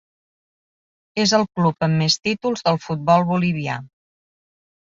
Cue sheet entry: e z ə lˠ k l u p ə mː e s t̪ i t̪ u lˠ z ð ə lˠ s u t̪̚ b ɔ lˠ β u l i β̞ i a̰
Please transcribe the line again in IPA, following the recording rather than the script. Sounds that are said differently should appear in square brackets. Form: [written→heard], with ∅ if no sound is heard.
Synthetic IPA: e z ə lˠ k l u p ə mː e s t̪ i t̪ u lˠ z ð ə lˠ [s→f] u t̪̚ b ɔ lˠ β u l i β̞ i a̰